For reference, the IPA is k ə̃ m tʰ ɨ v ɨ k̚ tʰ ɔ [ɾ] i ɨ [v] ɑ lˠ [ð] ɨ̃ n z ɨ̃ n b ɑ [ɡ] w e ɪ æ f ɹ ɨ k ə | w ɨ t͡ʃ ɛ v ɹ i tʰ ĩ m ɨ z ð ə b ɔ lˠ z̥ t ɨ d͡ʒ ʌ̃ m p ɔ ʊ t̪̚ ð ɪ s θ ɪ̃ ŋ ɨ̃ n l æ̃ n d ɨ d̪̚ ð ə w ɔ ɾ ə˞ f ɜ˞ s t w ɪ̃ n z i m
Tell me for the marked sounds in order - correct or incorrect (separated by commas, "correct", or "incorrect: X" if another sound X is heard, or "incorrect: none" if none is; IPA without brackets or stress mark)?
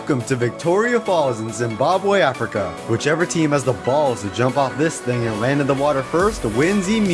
incorrect: ɹ, incorrect: f, incorrect: z, incorrect: b